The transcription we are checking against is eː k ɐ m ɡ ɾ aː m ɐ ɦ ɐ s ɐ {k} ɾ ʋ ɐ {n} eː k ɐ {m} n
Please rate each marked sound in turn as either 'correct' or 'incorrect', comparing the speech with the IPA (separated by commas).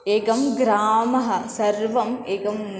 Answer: incorrect, incorrect, correct